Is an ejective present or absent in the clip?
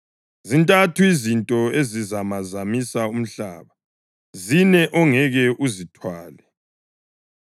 present